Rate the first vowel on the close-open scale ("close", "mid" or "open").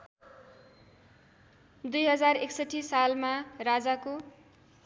close